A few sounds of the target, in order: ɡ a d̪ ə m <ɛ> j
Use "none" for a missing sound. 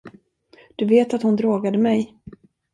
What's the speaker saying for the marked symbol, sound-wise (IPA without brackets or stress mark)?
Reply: ɛ